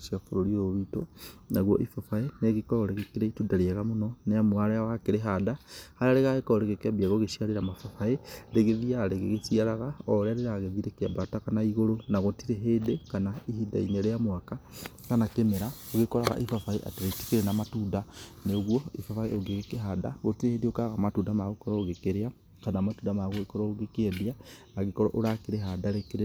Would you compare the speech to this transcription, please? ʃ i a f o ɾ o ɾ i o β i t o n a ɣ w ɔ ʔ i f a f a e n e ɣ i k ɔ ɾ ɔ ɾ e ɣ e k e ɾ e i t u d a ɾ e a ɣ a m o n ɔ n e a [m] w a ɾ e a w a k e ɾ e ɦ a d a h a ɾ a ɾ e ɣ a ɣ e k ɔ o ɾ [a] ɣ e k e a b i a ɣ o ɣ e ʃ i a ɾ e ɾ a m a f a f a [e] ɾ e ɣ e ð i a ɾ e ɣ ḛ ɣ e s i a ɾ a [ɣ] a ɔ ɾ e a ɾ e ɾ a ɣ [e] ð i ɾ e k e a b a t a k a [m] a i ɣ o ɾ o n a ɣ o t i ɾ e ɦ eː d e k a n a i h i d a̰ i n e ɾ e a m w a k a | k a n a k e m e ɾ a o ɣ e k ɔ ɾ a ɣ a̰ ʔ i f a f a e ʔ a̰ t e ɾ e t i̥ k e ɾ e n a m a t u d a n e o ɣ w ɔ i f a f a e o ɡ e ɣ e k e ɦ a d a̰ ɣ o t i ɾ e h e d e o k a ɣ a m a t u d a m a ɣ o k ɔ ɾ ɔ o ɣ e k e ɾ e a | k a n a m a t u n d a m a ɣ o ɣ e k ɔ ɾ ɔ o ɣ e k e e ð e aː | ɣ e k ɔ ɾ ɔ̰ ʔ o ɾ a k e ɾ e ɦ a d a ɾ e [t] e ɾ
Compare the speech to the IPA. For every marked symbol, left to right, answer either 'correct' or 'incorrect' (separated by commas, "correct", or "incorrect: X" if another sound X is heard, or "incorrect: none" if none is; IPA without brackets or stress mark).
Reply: correct, incorrect: e, correct, correct, correct, incorrect: n, incorrect: k